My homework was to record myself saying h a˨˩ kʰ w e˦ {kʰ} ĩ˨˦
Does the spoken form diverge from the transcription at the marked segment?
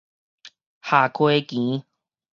yes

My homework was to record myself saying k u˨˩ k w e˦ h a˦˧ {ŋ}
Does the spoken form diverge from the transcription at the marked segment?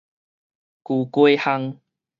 no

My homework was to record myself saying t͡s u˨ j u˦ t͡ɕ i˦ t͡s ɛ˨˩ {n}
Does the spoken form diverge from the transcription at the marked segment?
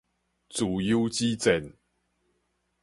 no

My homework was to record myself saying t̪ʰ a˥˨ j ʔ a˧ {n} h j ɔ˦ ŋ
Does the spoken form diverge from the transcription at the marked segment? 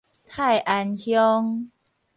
no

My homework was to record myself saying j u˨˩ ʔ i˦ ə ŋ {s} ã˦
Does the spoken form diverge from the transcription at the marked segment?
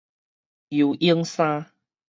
no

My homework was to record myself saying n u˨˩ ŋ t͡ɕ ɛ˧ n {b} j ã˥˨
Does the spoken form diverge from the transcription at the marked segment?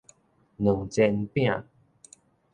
yes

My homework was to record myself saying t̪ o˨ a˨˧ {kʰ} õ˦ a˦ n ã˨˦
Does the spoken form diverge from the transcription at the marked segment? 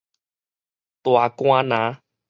yes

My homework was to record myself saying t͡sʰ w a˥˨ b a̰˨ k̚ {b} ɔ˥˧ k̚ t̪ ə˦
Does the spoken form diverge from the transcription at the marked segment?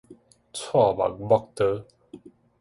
no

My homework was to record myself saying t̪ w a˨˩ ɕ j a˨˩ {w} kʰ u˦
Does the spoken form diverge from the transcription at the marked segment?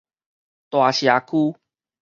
yes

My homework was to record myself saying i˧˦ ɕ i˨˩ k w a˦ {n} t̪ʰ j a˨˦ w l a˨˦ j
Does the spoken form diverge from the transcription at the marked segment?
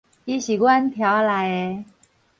no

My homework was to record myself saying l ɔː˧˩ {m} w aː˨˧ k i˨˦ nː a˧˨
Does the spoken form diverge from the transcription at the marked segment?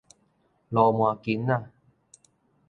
no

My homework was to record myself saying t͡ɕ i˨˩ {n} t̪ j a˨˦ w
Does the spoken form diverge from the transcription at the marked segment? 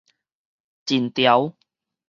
no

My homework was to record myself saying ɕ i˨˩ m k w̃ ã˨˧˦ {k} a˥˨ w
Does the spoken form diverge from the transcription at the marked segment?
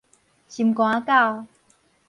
no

